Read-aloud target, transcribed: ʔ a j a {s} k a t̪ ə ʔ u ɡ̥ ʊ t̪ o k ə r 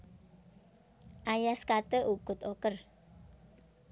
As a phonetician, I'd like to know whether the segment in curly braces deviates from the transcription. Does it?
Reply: no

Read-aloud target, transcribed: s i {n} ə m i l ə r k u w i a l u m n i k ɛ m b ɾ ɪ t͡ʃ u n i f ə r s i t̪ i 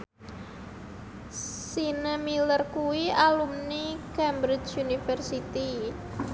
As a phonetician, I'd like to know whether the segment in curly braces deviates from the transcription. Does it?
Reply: no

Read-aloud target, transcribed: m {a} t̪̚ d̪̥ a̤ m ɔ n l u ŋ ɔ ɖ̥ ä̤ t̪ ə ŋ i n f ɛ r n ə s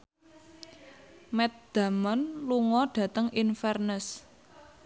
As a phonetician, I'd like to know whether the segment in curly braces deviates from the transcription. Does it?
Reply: yes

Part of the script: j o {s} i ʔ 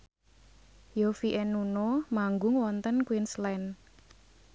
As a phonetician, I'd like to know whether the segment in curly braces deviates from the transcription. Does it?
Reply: yes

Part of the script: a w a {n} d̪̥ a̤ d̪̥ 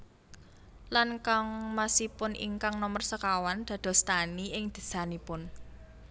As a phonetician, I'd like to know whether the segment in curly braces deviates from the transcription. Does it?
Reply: no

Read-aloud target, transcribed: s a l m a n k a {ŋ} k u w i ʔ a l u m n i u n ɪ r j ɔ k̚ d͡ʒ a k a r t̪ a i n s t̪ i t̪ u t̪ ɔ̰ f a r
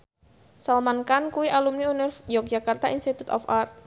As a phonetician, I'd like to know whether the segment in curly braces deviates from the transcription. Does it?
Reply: yes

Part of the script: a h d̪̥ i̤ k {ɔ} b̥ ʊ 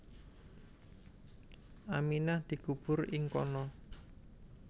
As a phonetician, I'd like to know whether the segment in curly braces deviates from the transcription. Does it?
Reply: yes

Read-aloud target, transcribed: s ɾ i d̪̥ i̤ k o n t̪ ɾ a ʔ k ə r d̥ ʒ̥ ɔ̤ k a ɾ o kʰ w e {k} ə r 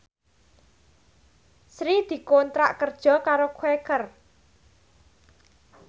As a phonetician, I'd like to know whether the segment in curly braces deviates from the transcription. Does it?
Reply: no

